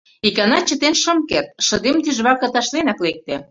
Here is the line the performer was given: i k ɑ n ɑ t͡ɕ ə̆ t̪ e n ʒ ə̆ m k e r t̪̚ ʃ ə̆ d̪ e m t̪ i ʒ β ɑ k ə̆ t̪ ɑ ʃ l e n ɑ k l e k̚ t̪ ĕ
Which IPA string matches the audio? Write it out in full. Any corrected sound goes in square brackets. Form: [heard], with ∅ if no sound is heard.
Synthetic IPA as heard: i k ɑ n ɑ t͡ɕ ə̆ t̪ e n [ʃ] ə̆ m k e r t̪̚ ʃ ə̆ d̪ e m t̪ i ʒ β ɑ k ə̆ t̪ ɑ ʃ l e n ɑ k l e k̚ t̪ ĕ